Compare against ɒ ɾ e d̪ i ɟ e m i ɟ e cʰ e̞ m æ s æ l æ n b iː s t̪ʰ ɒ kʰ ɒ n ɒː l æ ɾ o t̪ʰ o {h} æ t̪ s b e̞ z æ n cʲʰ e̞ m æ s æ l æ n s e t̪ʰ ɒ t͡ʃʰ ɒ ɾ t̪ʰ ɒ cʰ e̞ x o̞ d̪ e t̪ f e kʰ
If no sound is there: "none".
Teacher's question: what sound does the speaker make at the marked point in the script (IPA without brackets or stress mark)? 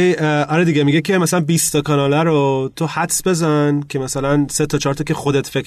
h